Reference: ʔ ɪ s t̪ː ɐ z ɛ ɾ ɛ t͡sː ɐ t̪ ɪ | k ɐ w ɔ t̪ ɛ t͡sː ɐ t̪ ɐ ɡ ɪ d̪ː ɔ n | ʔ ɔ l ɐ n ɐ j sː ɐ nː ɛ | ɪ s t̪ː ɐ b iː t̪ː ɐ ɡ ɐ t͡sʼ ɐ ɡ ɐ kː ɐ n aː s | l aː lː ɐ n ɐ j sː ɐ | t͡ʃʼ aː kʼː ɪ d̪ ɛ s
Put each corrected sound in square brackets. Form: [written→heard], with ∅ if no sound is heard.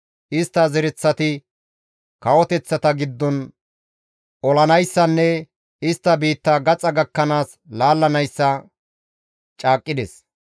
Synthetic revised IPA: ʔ ɪ s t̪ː ɐ z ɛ ɾ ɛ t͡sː ɐ t̪ ɪ | k ɐ w ɔ t̪ ɛ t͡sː ɐ t̪ ɐ ɡ ɪ d̪ː ɔ n | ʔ ɔ l ɐ n ɐ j sː ɐ nː ɛ | ɪ s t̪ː ɐ b iː t̪ː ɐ ɡ ɐ t͡sʼ ɐ ɡ ɐ kː ɐ n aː s | l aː lː ɐ n ɐ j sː ɐ | t͡ʃʼ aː kʼː ɪ d̪ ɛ s